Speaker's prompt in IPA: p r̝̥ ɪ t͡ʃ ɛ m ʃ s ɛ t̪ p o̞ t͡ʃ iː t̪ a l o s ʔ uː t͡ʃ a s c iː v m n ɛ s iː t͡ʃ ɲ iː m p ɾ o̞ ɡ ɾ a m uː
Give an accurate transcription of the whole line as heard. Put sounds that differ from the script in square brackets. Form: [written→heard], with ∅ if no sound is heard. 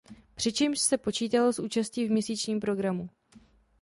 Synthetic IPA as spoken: p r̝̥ ɪ t͡ʃ ɛ m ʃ s ɛ [t̪→∅] p o̞ t͡ʃ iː t̪ a l o s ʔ uː t͡ʃ a s c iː v m [n→ɲ] ɛ s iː t͡ʃ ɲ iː m p ɾ o̞ ɡ ɾ a m [uː→u]